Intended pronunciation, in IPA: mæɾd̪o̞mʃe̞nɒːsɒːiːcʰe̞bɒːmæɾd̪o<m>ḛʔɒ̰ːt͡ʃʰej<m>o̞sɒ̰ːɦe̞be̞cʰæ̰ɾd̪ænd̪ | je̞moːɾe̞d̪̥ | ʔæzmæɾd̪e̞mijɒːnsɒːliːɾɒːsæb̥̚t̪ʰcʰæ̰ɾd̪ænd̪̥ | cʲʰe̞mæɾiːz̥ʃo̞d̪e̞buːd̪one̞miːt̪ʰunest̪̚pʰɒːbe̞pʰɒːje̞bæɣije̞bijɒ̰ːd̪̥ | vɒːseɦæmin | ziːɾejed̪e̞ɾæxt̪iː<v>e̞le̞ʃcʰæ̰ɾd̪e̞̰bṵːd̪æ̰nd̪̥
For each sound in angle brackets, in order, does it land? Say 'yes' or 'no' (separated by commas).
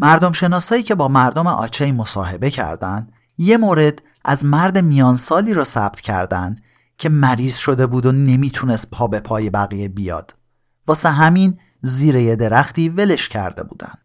yes, yes, yes